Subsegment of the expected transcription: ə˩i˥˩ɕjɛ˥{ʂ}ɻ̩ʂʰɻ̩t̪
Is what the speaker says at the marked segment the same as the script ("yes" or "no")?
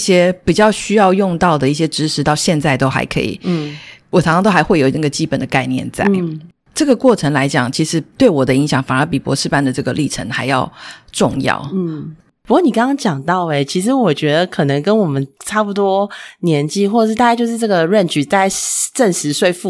no